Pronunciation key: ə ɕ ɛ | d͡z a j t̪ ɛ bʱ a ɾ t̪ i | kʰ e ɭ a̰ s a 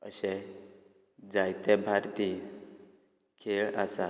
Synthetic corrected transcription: ə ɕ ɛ | d͡z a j t̪ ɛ bʱ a ɾ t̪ i | kʰ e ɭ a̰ s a